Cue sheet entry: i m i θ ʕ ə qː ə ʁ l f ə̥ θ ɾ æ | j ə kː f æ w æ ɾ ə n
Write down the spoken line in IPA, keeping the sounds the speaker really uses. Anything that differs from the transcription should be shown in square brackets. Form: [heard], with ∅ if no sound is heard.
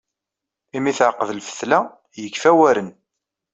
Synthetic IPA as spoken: i m i θ ʕ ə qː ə [ð] l f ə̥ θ [l] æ | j ə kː f æ w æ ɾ ə n